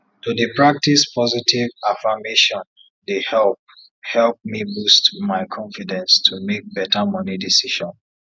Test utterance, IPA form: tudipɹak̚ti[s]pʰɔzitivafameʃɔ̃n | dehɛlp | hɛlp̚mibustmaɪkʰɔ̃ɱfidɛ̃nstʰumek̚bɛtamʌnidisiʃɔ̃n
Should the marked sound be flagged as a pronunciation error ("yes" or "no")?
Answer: no